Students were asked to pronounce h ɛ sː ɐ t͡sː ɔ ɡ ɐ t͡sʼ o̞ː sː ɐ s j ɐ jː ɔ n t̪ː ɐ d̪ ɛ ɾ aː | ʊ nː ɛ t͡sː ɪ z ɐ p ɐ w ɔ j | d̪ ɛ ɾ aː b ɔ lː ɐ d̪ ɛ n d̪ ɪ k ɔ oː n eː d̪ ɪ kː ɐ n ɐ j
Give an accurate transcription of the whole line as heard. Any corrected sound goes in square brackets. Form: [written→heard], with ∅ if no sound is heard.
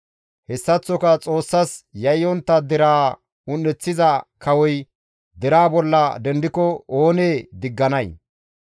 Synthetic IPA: h ɛ sː ɐ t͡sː ɔ [ɡ→k] ɐ t͡sʼ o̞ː sː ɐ s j ɐ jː ɔ n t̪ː ɐ d̪ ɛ ɾ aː | ʊ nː ɛ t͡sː ɪ z ɐ [p→k] ɐ w ɔ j | d̪ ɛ ɾ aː b ɔ lː ɐ d̪ ɛ n d̪ ɪ k ɔ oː n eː d̪ ɪ [kː→ɡː] ɐ n ɐ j